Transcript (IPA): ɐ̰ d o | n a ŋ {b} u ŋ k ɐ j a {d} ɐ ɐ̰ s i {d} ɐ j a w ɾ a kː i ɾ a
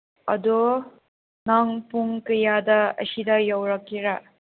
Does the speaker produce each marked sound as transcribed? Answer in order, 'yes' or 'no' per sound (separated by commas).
no, yes, yes